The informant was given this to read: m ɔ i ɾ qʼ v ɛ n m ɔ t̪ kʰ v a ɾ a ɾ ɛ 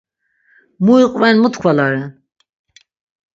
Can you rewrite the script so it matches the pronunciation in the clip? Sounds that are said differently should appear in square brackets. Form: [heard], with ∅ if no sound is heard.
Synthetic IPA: m [u] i [∅] qʼ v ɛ n m [u] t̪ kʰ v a [l] a ɾ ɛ